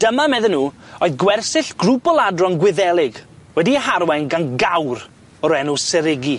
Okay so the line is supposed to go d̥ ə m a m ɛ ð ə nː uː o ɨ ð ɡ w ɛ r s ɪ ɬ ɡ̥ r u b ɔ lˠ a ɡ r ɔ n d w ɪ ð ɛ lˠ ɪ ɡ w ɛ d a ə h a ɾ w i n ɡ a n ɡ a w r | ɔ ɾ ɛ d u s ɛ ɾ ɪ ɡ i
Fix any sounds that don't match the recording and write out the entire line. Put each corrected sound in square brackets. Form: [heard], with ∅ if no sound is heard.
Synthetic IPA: d̥ ə m a m ɛ ð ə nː uː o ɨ ð ɡ w ɛ r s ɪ ɬ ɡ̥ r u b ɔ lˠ a [d] r ɔ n [ɡ] w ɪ ð ɛ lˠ ɪ ɡ w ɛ d [i] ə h a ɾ w [ɛ] n ɡ a n ɡ a w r | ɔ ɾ ɛ [n] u s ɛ ɾ ɪ ɡ i